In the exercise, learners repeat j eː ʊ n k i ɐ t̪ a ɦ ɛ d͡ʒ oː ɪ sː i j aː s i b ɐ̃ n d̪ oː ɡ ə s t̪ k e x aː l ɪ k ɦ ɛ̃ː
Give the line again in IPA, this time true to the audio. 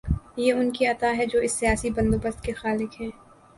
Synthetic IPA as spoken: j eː ʊ n k i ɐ t̪ a ɦ ɛ d͡ʒ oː ɪ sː i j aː s i b ɐ̃ n d̪ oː b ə s t̪ k e x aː l ɪ k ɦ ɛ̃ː